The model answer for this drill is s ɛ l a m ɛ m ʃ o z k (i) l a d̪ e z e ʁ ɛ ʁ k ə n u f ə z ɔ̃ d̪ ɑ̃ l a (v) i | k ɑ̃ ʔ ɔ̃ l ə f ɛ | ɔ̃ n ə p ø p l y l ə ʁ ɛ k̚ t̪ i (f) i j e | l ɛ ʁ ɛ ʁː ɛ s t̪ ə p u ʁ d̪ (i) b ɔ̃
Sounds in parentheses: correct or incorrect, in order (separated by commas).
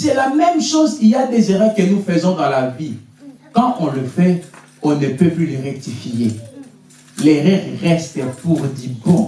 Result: correct, correct, correct, correct